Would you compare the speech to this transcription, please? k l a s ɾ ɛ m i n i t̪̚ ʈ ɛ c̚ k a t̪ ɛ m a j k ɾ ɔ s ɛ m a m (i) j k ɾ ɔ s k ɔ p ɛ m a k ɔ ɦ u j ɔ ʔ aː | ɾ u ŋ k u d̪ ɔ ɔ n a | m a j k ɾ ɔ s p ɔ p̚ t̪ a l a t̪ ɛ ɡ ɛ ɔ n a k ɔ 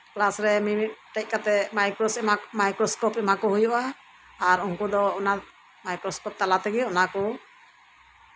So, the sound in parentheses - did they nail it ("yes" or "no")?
no